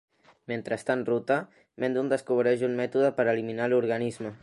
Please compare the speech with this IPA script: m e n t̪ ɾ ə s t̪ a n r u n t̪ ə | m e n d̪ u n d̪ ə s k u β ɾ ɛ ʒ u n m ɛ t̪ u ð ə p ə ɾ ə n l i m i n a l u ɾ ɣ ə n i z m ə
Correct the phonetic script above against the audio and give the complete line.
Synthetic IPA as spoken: m e n t̪ ɾ ə s t̪ a n r u t̪ ə | m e n d̪ u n d̪ ə s k u β ɾ ɛ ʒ u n m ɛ t̪ u ð ə p ə ɾ ə l i m i n a l u ɾ ɣ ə n i z m ə